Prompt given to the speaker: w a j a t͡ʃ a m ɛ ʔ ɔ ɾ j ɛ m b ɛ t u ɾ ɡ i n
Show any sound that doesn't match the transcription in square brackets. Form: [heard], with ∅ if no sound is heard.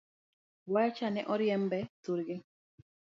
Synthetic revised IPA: w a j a t͡ʃ a [n] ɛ ʔ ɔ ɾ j ɛ m b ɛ t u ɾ ɡ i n